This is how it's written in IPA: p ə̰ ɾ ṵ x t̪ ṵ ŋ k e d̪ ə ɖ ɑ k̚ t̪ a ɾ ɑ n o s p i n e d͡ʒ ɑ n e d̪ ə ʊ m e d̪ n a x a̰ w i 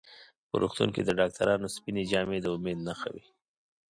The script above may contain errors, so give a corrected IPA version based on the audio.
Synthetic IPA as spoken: p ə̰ ɾ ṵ x t̪ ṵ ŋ k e d̪ ə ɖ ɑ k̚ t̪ a ɾ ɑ n o s p i n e d͡ʒ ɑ m e d̪ ə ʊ m e d̪ n a x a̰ w i